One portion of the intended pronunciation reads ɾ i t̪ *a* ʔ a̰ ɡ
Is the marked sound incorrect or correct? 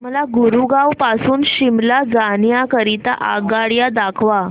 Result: correct